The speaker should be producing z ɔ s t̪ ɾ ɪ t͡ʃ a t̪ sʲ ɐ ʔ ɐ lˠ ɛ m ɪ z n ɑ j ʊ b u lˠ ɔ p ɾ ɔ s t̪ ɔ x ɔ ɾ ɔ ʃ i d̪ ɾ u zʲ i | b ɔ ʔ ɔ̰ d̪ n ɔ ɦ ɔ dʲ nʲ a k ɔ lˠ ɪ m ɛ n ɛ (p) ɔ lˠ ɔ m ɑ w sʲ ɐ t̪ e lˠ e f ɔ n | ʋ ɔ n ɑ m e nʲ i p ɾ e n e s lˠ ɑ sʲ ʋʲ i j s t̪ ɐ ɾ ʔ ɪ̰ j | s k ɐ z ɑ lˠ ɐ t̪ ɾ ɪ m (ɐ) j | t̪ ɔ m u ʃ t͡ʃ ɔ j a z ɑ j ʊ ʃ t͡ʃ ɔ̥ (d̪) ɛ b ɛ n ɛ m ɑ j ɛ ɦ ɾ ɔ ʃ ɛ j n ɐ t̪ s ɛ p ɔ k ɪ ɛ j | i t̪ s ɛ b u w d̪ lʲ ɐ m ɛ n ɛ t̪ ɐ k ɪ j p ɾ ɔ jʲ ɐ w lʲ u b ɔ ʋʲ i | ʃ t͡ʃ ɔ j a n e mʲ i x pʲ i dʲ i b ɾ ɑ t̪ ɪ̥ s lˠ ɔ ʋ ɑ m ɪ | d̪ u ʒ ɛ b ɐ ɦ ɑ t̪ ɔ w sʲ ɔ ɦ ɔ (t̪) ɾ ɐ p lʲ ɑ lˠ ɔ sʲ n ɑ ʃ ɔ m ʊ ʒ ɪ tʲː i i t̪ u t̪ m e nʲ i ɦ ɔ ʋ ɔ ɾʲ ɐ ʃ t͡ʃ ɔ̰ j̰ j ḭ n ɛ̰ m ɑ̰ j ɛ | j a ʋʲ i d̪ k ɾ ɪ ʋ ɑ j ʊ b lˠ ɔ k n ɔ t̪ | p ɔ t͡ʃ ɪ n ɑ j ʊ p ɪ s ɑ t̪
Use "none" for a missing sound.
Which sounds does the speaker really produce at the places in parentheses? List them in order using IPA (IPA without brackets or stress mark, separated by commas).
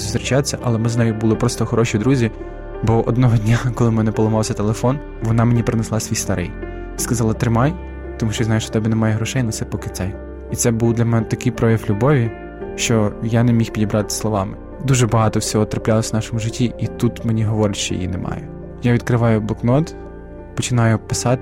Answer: p, ɑ, t̪, t̪